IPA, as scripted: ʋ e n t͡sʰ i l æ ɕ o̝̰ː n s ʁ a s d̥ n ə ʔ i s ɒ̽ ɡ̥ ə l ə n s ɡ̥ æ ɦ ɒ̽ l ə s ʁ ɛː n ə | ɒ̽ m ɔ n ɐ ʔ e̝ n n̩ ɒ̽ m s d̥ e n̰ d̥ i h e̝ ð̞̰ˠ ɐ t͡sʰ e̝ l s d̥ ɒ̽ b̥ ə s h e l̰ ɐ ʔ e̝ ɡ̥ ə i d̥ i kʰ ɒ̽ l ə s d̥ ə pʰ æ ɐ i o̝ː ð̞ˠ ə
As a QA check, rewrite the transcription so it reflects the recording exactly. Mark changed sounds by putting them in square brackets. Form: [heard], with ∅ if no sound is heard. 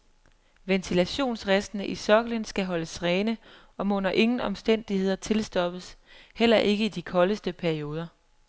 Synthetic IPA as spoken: ʋ e n t͡sʰ i l æ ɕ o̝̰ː n s ʁ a s d̥ n ə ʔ i s ɒ̽ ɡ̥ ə l ə n s ɡ̥ æ ɦ ɒ̽ l ə s ʁ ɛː n ə | ɒ̽ m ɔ n ɐ ʔ e̝ [ŋ] n̩ ɒ̽ m s d̥ e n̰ d̥ i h e̝ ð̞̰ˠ ɐ t͡sʰ e̝ l s d̥ ɒ̽ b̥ ə s h e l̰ ɐ ʔ e̝ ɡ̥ ə i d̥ i kʰ ɒ̽ l ə s d̥ ə pʰ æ ɐ i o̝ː ð̞ˠ [ɐ]